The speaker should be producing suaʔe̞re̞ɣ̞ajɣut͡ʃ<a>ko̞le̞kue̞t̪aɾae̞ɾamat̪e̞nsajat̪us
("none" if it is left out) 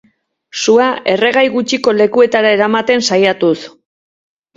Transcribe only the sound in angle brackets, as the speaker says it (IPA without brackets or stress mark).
i